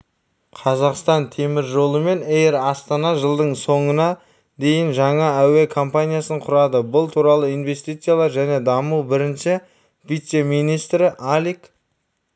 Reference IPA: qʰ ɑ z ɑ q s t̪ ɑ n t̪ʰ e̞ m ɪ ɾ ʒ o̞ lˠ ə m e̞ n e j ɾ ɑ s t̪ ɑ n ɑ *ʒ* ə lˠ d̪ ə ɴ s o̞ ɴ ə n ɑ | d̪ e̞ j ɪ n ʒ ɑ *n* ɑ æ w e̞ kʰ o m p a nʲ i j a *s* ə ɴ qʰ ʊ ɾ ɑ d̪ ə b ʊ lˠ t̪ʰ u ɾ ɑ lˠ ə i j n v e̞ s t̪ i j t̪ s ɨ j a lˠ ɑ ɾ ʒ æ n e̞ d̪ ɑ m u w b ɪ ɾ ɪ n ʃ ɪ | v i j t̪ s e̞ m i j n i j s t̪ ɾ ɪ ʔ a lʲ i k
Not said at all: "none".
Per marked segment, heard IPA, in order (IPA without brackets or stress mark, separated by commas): ʒ, ɴ, s